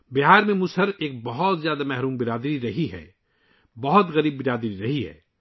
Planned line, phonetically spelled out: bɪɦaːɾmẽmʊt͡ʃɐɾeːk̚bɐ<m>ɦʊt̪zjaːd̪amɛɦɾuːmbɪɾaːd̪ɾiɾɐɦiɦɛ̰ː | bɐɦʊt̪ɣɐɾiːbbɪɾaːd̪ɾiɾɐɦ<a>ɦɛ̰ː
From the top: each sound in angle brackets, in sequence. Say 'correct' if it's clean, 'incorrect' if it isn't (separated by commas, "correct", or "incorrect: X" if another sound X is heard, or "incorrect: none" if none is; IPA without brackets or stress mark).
incorrect: none, incorrect: i